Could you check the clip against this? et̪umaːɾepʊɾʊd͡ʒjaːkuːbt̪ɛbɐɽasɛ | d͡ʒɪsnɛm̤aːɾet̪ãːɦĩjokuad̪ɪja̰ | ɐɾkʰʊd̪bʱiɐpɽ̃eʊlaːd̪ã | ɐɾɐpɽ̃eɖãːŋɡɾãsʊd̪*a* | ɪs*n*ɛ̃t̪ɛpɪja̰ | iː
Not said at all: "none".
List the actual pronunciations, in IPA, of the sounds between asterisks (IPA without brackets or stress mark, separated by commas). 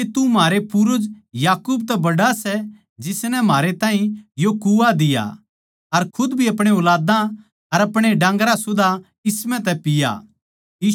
a, m